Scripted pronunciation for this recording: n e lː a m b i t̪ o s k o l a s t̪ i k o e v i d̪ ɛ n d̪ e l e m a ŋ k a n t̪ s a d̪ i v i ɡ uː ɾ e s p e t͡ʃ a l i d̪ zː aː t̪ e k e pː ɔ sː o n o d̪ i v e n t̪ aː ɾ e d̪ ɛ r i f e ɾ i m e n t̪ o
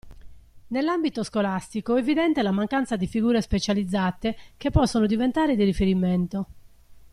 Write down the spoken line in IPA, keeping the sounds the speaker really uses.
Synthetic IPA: n e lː a m b i t̪ o s k o l a s t̪ i k o e v i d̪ ɛ n t̪ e l a m a ŋ k a n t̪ s a d̪ i f i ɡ uː ɾ e s p e t͡ʃ a l i d̪ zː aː t̪ e k e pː ɔ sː o n o d̪ i v e n t̪ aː ɾ e d̪ i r i f e ɾ i m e n t̪ o